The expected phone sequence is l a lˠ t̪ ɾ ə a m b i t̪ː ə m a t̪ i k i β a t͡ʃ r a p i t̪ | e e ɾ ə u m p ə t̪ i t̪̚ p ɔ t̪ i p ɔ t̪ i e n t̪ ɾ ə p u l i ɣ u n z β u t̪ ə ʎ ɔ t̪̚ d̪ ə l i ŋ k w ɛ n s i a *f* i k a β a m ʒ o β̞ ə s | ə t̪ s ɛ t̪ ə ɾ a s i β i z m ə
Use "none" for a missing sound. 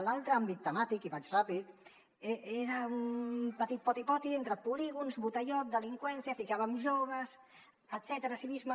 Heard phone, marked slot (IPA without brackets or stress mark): f